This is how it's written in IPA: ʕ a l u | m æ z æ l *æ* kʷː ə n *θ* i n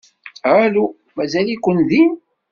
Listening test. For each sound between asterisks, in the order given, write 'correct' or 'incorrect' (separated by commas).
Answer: incorrect, incorrect